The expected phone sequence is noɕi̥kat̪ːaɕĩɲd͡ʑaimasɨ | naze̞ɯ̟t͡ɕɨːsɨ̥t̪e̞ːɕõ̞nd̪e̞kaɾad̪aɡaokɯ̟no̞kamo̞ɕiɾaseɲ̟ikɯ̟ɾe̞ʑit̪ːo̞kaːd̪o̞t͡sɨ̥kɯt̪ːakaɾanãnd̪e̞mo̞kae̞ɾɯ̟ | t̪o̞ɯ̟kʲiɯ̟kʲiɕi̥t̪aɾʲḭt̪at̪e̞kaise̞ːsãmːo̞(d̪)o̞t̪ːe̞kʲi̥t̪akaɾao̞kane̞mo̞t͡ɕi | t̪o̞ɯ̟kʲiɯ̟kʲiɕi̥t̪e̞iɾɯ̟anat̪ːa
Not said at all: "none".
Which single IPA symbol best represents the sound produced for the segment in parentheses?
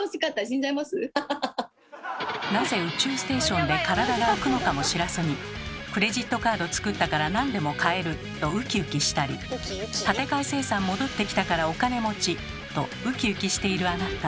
d̪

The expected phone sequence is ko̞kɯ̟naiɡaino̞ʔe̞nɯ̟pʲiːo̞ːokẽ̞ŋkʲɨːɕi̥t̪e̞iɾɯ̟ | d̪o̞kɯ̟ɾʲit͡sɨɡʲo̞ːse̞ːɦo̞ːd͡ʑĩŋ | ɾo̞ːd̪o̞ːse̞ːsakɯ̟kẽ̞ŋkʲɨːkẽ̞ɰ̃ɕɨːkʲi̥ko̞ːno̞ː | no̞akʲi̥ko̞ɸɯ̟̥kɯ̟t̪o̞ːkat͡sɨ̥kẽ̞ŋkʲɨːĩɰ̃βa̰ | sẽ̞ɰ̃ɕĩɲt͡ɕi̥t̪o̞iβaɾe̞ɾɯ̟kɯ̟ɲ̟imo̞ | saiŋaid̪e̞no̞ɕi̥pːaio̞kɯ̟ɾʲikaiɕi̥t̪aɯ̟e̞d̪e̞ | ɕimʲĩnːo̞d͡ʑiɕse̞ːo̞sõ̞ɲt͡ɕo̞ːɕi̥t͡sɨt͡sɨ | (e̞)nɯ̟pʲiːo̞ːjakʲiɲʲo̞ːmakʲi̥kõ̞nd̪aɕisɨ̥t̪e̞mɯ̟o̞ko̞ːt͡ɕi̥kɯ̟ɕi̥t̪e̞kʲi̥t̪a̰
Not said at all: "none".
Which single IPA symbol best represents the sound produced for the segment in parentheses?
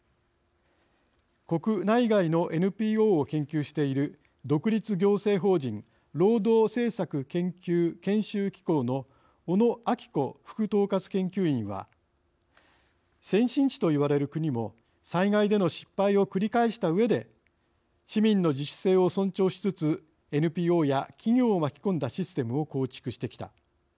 e̞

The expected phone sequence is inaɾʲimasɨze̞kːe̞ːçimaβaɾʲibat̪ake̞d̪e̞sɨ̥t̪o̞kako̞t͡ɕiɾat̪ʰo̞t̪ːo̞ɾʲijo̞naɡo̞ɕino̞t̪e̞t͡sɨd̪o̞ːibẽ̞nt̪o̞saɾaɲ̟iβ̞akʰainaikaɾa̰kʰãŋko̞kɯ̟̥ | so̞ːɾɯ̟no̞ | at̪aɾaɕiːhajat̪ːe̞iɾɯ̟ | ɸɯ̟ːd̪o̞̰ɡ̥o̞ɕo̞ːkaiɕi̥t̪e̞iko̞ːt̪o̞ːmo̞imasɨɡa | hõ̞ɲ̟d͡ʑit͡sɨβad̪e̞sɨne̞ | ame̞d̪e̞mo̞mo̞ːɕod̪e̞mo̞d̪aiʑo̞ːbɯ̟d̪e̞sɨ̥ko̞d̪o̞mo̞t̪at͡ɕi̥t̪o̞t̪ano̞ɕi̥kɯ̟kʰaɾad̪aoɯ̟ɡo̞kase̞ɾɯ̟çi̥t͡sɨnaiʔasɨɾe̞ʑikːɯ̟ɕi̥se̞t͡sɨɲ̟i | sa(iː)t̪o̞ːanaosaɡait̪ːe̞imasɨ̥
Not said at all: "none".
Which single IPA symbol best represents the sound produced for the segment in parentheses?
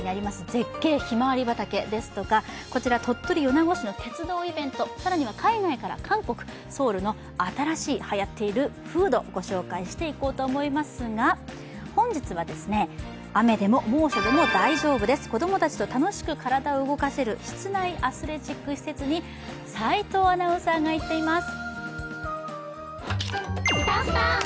i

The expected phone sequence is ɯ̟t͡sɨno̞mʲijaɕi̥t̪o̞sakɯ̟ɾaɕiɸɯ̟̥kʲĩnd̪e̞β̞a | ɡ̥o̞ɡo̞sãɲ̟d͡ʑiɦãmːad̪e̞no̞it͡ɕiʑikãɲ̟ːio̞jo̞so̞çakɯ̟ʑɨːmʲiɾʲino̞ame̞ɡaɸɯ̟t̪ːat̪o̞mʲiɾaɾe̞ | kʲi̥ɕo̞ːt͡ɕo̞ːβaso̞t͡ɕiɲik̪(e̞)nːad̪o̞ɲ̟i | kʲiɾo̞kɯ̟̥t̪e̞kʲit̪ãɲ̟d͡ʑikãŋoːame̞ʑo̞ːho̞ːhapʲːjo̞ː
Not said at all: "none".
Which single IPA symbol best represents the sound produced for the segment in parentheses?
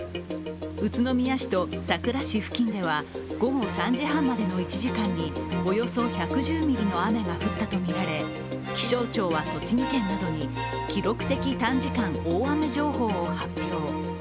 ẽ̞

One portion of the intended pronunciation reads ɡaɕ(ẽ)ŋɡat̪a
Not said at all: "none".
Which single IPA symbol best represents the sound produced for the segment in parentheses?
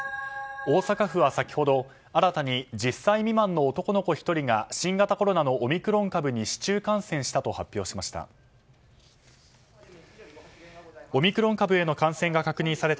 ĩ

